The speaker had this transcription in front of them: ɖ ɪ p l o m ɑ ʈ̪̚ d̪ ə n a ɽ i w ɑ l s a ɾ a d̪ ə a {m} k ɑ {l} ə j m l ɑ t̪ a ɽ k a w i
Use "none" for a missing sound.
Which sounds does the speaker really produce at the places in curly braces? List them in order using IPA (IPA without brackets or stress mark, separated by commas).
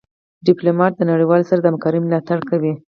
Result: m, ɾ